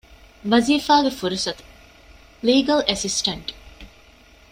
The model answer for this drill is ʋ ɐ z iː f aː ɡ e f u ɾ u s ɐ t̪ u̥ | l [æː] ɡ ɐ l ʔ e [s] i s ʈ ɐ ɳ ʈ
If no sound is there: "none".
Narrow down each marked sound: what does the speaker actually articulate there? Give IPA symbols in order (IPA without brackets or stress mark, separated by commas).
iː, s